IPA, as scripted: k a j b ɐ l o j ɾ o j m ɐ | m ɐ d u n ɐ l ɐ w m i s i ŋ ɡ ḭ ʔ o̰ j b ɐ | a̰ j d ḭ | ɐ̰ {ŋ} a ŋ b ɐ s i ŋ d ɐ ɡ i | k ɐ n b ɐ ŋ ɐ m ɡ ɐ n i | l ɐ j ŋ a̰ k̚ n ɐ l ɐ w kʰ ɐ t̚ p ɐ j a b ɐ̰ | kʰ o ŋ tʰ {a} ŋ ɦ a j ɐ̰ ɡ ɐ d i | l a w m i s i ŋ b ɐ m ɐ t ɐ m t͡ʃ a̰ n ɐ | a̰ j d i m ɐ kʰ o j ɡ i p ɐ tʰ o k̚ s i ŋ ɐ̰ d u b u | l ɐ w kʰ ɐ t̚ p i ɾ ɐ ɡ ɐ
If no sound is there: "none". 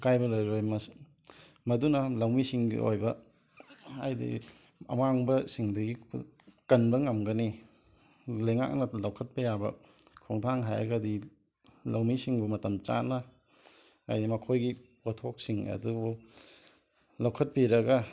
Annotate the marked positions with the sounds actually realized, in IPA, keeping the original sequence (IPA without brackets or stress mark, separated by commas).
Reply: m, a